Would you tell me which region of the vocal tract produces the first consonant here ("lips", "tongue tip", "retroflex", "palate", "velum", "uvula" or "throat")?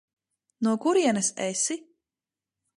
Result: tongue tip